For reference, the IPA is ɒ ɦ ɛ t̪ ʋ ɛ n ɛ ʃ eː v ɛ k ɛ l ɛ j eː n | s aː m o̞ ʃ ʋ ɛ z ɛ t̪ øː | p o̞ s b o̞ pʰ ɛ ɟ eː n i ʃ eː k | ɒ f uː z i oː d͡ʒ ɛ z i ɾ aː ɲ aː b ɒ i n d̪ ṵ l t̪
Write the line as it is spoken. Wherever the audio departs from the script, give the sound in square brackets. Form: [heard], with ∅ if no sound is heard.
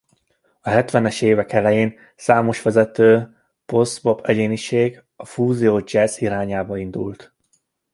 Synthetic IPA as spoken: ɒ ɦ ɛ t̪ ʋ ɛ n ɛ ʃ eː v ɛ k ɛ l ɛ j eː n | s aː m o̞ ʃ ʋ ɛ z ɛ t̪ øː | p o̞ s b o̞ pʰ ɛ ɟ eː n i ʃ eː [ɡ] | ɒ f uː z i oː d͡ʒ ɛ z i ɾ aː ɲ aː b ɒ i n d̪ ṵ l t̪